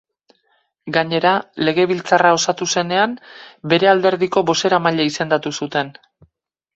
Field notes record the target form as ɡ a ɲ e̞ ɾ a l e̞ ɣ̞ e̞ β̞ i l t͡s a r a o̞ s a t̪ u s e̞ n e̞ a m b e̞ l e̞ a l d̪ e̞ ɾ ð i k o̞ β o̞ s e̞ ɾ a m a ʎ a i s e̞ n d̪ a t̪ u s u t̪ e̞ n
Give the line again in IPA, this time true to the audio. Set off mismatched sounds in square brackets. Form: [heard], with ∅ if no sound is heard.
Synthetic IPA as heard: ɡ a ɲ e̞ ɾ a l e̞ ɣ̞ e̞ β̞ i l t͡s a r a o̞ s a t̪ u s e̞ n e̞ a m b e̞ [ɾ] e̞ a l d̪ e̞ ɾ ð i k o̞ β o̞ s e̞ ɾ a m a ʎ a i s e̞ n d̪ a t̪ u s u t̪ e̞ n